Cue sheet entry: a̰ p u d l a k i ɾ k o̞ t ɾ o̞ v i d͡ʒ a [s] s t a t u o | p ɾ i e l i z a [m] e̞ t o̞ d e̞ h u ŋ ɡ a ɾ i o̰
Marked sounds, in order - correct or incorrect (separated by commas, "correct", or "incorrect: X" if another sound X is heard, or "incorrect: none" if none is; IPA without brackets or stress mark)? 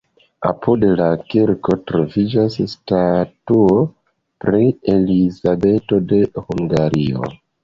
correct, incorrect: b